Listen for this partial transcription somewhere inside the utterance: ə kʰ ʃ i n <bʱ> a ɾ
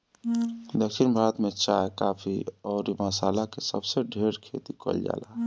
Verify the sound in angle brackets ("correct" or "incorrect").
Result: correct